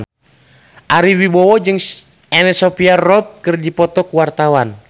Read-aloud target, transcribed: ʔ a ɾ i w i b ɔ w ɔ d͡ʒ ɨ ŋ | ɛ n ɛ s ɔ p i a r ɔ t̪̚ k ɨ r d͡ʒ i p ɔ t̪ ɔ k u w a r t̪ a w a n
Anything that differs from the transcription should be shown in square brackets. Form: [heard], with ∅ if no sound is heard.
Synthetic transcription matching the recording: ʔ a ɾ i w i b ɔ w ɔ d͡ʒ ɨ ŋ | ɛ n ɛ s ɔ p i a r ɔ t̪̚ k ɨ r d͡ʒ i p ɔ t̪ ɔ k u w a r t̪ a w a n